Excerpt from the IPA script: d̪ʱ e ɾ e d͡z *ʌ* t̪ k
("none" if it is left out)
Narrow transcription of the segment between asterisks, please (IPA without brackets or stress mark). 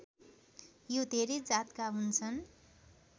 a